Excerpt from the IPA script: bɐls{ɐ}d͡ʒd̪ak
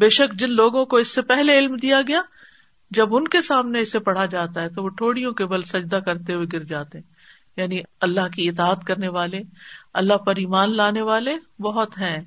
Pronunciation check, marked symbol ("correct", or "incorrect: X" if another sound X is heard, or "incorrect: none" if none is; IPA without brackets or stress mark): correct